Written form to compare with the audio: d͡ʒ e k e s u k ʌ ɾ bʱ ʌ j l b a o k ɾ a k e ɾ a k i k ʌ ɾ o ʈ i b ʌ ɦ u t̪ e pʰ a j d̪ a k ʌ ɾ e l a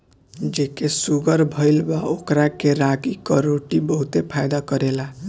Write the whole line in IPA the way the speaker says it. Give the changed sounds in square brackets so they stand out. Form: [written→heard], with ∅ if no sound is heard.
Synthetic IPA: d͡ʒ e k e s u [k→ɡ] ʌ ɾ bʱ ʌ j l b a o k ɾ a k e ɾ a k i k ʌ ɾ o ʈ i b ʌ ɦ u t̪ e pʰ a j d̪ a k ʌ ɾ e l a